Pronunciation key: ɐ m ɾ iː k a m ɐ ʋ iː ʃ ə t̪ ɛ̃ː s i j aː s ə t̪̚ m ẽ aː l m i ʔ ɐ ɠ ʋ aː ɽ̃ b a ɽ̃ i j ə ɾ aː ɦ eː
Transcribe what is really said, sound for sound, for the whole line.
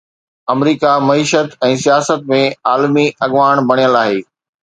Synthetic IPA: ɐ m ɾ iː k a m ɐ iː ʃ ə t̪ ɛ̃ː s i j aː s ə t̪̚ m ẽ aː l m i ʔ ɐ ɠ ʋ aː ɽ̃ b ɐ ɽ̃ i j ə l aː ɦ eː